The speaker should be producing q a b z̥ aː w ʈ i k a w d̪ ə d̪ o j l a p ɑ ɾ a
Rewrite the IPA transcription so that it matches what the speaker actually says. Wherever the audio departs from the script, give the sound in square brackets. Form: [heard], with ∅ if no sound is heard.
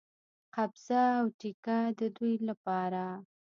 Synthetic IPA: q a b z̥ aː w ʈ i k a [∅] d̪ ə d̪ [u] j l a p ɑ ɾ a